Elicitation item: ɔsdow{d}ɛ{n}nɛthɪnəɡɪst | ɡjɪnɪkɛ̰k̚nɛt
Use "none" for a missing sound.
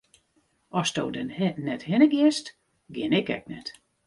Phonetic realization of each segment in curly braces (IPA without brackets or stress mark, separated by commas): d, n